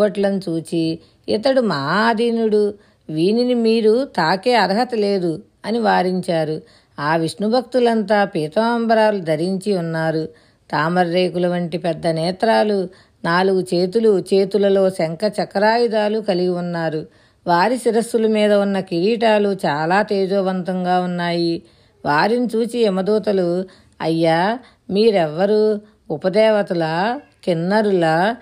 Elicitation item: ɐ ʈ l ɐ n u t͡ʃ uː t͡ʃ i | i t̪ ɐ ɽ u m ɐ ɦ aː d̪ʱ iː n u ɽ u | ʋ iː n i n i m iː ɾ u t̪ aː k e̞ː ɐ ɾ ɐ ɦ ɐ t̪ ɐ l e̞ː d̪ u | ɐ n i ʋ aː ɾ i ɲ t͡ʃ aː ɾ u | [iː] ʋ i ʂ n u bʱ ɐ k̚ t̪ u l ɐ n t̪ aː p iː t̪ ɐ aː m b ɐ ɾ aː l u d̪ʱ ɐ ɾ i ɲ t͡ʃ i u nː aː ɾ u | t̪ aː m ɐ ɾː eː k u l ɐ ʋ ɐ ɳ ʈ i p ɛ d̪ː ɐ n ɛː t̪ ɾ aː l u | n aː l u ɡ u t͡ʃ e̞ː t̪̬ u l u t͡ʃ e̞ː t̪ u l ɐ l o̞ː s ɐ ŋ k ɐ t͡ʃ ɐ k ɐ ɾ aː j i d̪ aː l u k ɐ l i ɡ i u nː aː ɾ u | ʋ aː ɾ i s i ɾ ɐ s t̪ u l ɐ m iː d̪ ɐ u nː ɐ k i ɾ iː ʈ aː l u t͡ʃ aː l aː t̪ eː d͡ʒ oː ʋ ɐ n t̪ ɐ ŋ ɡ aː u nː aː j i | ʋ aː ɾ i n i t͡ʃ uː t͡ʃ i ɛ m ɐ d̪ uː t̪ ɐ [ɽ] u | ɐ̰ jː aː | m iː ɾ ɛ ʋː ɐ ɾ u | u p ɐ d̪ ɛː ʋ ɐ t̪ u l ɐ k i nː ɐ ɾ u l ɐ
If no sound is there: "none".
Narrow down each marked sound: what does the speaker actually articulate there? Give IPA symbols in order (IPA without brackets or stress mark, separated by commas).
aː, l